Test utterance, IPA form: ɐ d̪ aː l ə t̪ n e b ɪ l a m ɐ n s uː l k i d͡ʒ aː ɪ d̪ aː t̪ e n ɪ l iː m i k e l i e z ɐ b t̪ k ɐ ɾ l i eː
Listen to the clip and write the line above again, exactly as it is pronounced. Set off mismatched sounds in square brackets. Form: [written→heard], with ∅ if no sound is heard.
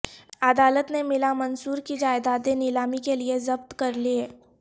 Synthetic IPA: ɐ d̪ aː l ə t̪ n e [b→m] ɪ l a m ɐ n s uː [l→ɾ] k i d͡ʒ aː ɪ d̪ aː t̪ e n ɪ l [iː→aː] m i k e l i e z ɐ b t̪ k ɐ ɾ l i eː